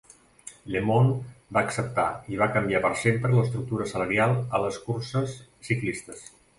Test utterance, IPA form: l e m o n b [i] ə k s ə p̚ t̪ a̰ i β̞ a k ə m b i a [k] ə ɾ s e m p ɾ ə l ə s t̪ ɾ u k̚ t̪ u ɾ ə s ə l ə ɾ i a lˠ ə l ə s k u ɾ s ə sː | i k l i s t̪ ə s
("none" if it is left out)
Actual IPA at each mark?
a, p

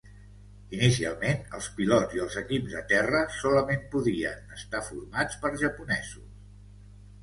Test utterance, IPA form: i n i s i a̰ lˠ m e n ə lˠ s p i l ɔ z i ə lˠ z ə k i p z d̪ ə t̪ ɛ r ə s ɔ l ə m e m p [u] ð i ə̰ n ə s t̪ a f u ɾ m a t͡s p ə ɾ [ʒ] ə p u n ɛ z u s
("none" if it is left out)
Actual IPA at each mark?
u, ʒ

